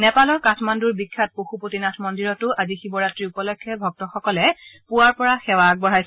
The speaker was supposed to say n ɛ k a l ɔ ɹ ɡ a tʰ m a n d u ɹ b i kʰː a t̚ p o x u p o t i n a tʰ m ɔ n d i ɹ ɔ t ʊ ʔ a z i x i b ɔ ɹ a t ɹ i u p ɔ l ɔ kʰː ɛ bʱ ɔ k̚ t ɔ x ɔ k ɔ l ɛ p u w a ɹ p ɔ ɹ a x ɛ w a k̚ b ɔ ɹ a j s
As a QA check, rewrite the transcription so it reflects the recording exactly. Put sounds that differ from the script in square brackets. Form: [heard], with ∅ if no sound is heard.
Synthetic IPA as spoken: n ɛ [p] a l ɔ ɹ [k] a tʰ m a n d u ɹ b i kʰː a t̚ p o x u p o t i n a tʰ m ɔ n d i ɹ ɔ t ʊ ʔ a z i x i b ɔ ɹ a t ɹ i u p ɔ l ɔ kʰː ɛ bʱ ɔ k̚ t ɔ x ɔ k ɔ l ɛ p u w a ɹ p ɔ ɹ a x ɛ w a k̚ b ɔ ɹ a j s